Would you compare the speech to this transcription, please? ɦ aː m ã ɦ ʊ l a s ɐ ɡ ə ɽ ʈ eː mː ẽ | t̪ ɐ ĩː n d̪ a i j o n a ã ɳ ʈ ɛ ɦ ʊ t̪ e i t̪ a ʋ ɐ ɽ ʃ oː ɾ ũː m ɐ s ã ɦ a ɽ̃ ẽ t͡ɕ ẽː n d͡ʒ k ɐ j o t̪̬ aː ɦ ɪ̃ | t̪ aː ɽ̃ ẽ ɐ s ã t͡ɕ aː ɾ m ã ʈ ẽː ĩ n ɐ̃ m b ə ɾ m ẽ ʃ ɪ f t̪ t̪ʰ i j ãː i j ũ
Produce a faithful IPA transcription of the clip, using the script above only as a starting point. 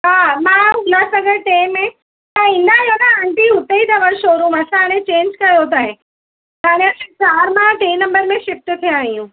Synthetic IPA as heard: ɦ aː m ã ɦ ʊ l a s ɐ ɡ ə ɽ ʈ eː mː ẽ | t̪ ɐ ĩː n d̪ a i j o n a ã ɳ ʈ i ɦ ʊ t̪ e i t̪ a ʋ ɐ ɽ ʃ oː ɾ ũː m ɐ s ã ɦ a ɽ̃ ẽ t͡ɕ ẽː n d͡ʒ k ɐ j o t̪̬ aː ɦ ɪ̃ | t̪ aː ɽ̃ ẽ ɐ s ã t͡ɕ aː ɾ m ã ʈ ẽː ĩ n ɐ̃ m b ə ɾ m ẽ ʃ ɪ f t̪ t̪ʰ i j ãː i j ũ